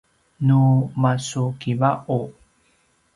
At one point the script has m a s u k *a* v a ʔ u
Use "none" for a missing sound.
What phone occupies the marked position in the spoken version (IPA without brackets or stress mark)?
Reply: i